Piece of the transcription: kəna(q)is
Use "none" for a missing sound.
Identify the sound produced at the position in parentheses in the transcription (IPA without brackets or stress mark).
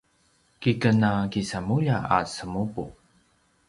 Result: k